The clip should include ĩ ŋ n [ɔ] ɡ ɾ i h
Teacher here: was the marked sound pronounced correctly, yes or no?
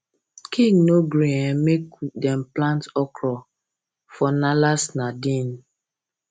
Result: no